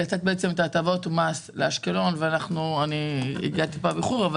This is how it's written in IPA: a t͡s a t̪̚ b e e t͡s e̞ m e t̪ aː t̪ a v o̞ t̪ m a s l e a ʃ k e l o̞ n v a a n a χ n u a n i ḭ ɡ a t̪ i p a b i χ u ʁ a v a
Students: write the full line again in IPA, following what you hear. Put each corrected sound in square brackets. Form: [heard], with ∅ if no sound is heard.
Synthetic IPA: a t͡s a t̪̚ b e e t͡s e̞ m e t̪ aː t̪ a v o̞ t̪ m a s l e a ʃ k e l o̞ n v [e] a n a χ n u a n i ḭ ɡ a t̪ i p a b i χ u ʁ a v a